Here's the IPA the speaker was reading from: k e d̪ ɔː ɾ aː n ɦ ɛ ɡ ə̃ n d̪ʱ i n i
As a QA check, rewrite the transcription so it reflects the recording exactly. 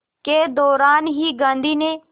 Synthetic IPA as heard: k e d̪ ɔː ɾ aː n ɦ i ɡ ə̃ n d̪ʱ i n e